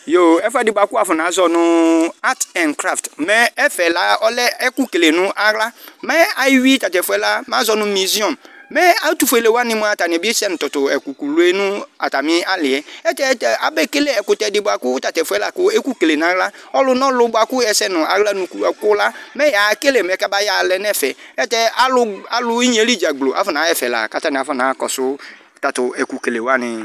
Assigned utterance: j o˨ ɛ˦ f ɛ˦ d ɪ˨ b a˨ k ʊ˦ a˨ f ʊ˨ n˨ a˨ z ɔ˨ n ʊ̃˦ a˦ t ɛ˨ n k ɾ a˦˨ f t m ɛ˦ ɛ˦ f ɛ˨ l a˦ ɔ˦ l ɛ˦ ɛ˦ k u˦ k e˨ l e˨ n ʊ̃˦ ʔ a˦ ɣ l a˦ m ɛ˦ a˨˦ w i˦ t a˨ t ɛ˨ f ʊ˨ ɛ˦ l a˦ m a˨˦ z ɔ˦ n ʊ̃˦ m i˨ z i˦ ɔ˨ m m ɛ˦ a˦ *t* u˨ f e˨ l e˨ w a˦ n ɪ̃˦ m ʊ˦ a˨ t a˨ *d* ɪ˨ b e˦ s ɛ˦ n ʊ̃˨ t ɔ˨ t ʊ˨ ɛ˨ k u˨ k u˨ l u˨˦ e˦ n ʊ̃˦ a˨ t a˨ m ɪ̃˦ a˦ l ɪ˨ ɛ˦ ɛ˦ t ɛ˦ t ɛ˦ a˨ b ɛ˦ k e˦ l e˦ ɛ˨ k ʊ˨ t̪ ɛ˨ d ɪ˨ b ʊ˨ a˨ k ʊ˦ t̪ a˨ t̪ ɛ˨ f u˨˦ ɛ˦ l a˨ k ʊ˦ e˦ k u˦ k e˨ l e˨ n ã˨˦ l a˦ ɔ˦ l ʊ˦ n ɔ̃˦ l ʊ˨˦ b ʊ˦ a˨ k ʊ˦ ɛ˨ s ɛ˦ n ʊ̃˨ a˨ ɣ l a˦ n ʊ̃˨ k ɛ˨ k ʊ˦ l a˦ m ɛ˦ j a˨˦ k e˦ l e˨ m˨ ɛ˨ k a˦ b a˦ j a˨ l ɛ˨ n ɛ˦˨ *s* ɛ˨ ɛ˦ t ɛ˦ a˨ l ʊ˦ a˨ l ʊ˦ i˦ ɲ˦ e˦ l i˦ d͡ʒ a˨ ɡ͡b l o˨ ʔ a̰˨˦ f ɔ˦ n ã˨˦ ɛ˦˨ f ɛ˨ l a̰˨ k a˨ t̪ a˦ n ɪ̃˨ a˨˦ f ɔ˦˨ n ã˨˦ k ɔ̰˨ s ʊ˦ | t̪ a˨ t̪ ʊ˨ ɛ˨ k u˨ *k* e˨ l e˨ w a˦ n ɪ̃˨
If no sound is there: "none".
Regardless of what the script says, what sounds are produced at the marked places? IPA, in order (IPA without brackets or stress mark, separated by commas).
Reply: t, n, f, k